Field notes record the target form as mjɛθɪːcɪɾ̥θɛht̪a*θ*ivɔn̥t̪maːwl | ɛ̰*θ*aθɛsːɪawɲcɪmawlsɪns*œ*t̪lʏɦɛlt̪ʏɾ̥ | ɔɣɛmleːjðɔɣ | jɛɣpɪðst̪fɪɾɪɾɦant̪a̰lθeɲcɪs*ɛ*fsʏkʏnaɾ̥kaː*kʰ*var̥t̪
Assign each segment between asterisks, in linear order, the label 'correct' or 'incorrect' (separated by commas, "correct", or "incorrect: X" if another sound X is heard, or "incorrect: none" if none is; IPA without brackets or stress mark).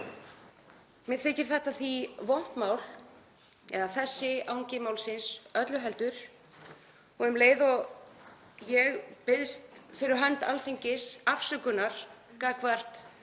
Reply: correct, incorrect: ð, correct, incorrect: a, incorrect: k